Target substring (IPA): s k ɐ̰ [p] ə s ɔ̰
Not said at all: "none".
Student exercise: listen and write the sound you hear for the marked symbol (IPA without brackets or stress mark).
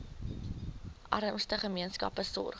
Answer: p